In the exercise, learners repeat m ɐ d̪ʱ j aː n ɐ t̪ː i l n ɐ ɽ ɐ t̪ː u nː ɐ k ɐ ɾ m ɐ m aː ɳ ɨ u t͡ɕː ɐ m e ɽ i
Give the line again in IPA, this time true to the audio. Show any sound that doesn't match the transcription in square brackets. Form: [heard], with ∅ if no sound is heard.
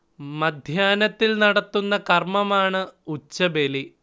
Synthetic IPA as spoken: m ɐ d̪ʱ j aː n ɐ t̪ː i l n ɐ ɽ ɐ t̪ː u nː ɐ k ɐ [r] m ɐ m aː ɳ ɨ u t͡ɕː ɐ [b] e [l] i